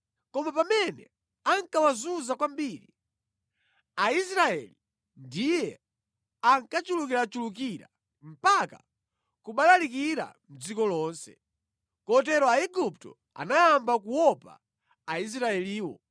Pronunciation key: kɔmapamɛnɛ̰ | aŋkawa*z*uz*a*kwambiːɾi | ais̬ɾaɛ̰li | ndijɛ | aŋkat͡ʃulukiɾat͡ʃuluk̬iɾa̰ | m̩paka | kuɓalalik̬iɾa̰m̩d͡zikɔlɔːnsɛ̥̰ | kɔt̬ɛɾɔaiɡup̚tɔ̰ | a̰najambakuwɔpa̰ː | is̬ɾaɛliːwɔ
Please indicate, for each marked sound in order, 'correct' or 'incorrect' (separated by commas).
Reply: correct, correct